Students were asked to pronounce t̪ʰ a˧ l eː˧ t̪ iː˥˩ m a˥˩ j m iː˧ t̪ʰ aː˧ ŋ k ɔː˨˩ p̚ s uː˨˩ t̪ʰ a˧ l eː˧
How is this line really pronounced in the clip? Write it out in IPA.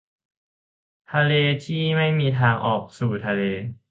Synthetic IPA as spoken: t̪ʰ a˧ l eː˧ t̪ʰ iː˥˩ m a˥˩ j m iː˧ t̪ʰ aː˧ ŋ ʔ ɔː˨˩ k̚ s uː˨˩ t̪ʰ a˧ l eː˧